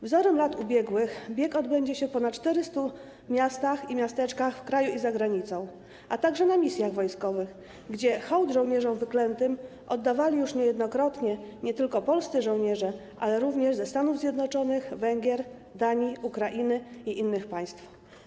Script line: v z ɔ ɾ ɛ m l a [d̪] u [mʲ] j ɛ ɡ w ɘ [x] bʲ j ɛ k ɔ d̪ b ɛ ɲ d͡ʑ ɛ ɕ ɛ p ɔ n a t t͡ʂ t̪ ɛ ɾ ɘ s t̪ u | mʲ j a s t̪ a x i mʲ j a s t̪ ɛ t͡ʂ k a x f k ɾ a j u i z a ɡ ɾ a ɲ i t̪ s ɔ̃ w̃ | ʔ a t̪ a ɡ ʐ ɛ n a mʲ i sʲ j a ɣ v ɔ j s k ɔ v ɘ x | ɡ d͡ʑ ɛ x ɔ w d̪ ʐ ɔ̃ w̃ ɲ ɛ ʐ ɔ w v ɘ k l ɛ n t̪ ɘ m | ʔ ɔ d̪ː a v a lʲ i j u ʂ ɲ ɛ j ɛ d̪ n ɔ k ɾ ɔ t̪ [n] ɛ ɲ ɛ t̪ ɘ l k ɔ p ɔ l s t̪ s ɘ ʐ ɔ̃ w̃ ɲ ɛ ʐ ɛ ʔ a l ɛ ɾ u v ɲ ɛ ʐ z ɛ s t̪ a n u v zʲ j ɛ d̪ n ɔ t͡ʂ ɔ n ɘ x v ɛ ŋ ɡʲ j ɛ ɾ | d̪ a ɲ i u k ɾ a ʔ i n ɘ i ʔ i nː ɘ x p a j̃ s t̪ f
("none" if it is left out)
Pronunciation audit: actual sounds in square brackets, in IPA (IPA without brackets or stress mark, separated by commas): t̪, bʲ, x, ɲ